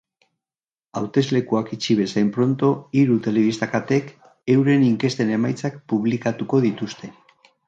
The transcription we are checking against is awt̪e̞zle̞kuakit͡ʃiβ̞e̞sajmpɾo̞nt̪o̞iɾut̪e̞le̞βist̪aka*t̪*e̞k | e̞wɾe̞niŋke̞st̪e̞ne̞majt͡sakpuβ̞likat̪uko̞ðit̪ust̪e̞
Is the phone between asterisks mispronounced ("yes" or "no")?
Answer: no